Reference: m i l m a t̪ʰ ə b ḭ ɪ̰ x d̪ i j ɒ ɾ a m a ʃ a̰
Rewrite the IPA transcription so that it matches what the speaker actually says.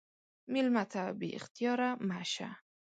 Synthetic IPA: m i l m a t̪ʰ a b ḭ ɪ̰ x t̪ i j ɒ ɾ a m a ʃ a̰